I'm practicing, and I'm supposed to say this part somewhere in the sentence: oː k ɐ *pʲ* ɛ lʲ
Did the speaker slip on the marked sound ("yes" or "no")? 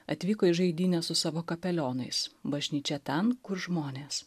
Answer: no